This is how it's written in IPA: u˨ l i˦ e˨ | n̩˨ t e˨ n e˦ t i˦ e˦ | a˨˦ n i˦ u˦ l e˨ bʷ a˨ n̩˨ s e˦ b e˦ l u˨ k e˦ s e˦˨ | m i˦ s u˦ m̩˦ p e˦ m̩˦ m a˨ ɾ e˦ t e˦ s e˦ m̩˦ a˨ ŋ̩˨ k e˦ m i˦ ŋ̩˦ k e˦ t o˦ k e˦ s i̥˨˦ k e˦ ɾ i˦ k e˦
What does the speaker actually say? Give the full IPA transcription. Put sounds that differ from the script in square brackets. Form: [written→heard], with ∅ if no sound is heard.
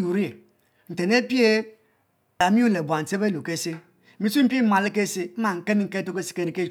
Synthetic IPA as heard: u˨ [l→ɾ] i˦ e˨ | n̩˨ t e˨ n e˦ [t→p] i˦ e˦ | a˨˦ [n→m] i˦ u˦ l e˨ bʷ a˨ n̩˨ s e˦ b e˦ l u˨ k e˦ s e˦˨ | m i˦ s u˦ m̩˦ p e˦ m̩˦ m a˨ [ɾ→l] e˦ [t→k] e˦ s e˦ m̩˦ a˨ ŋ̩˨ k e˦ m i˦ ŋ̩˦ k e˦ t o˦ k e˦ s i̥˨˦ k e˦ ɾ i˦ k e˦